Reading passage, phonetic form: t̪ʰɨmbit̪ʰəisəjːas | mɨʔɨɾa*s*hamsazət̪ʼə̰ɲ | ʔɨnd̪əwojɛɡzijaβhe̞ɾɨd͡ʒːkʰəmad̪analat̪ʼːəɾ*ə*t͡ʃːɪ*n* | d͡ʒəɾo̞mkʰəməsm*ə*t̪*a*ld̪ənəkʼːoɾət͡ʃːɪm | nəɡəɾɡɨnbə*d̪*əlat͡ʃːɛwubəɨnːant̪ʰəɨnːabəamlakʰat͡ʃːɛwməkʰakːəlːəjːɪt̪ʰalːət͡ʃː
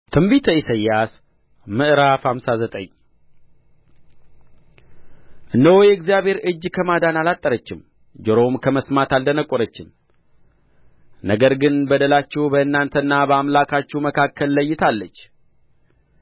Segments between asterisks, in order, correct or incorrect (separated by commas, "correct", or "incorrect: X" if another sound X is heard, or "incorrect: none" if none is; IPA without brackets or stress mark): incorrect: f, correct, incorrect: m, incorrect: a, correct, correct